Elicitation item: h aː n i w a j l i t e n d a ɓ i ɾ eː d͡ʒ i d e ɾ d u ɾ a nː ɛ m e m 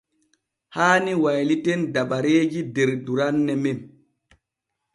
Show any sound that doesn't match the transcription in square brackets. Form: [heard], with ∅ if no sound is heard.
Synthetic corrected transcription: h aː n i w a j l i t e n d a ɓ [a] ɾ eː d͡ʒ i d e ɾ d u ɾ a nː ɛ m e m